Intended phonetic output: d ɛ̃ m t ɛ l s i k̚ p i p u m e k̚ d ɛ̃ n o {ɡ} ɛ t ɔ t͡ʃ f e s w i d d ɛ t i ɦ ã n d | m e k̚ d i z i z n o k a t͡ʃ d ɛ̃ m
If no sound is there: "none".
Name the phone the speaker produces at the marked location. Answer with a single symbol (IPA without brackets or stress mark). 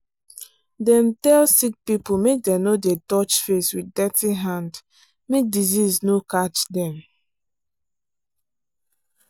d